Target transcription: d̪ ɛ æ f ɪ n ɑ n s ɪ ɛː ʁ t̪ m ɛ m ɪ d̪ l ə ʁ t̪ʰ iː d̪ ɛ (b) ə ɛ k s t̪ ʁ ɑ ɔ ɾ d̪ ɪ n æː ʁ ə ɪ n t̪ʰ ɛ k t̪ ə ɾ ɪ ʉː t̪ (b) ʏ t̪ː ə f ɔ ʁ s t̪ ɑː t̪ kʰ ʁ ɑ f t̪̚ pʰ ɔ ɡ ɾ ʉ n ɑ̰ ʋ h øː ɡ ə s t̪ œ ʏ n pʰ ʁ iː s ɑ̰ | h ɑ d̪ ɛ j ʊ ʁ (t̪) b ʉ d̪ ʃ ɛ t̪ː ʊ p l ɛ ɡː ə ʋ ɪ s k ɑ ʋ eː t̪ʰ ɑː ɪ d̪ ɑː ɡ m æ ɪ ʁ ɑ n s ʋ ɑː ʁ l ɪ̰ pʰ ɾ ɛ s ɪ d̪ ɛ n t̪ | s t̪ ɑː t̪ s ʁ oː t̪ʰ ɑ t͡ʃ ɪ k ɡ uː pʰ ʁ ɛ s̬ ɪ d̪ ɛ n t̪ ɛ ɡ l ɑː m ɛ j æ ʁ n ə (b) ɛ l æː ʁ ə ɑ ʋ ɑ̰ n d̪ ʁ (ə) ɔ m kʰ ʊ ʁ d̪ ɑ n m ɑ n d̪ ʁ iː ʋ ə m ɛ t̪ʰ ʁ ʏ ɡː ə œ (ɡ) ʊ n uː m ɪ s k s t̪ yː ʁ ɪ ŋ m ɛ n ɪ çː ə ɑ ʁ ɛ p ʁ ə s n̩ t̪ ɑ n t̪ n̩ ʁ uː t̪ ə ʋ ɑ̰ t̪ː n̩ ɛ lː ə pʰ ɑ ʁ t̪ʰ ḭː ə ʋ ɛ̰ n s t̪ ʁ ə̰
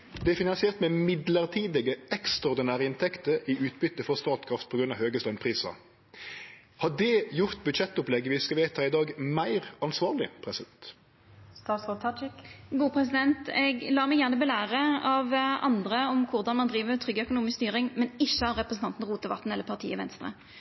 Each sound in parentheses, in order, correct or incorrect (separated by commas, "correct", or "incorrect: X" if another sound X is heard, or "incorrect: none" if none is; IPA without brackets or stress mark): incorrect: ɡ, correct, correct, correct, correct, incorrect: k